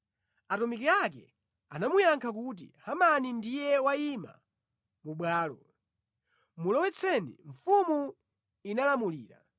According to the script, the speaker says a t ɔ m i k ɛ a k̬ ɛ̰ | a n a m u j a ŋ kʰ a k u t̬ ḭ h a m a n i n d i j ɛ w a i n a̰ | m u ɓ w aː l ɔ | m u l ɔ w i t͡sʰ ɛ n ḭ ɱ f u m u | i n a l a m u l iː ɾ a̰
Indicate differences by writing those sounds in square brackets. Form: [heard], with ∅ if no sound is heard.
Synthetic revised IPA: a t ɔ m i k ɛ a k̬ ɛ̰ | a n a m u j a ŋ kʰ a k u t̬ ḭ h a m a n i n d i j ɛ w a i [m] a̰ | m u ɓ w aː l ɔ | m u l ɔ w [ɛ] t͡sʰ ɛ n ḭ ɱ f u m u | i n a l a m u l iː ɾ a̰